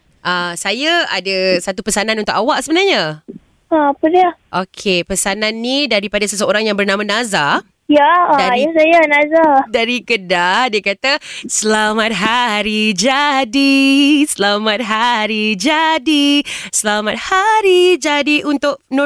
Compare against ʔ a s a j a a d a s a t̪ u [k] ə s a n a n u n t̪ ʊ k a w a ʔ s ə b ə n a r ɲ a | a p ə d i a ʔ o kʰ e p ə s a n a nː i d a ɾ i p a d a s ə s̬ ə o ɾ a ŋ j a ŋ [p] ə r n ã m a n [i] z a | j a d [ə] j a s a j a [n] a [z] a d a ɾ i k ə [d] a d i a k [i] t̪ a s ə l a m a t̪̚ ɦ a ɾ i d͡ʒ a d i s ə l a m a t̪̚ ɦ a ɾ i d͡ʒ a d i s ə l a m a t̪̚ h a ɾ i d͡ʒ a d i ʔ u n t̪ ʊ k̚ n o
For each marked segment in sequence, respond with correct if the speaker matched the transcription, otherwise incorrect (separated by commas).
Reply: incorrect, incorrect, incorrect, incorrect, correct, correct, correct, incorrect